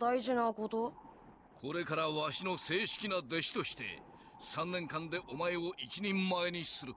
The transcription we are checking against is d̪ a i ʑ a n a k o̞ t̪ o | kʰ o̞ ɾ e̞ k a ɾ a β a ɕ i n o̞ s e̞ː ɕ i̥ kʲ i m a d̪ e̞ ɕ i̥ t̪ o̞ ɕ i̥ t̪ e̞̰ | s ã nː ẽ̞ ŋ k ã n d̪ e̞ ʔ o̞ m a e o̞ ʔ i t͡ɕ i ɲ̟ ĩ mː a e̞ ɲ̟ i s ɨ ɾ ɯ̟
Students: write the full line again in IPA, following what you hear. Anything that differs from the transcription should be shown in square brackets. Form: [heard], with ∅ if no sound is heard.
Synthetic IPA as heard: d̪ a i ʑ [i] n a k o̞ t̪ o | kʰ o̞ ɾ e̞ k a ɾ a β a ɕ i n o̞ s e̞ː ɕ i̥ kʲ i [n] a d̪ e̞ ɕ i̥ t̪ o̞ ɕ i̥ t̪ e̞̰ | s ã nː ẽ̞ ŋ k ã n d̪ e̞ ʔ o̞ m a e o̞ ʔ i t͡ɕ i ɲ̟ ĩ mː a e̞ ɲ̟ i s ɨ ɾ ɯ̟